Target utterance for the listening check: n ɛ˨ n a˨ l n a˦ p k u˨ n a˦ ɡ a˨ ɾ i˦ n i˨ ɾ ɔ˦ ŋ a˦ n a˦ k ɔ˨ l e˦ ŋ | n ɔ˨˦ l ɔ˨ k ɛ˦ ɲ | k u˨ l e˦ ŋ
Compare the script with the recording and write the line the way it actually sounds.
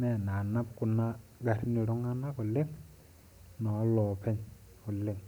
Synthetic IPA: m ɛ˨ n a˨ n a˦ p k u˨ n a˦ ɡ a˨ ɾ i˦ n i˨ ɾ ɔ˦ ŋ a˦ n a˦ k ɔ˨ l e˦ ŋ | n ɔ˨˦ l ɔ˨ p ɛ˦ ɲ | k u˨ l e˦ ŋ